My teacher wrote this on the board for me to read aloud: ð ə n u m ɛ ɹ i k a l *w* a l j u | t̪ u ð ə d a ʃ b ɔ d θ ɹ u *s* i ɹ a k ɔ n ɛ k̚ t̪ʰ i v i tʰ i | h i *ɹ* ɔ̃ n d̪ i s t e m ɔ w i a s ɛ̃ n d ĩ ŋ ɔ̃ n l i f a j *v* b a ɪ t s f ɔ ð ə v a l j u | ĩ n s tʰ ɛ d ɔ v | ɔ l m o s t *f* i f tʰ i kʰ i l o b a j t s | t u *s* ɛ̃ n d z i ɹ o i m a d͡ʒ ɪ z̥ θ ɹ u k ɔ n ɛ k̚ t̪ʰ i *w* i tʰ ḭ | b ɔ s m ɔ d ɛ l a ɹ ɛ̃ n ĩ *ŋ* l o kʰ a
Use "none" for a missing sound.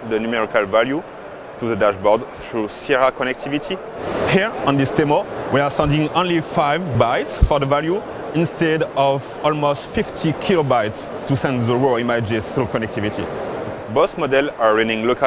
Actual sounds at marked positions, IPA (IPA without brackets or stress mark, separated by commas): v, s, ɹ, v, f, s, v, ŋ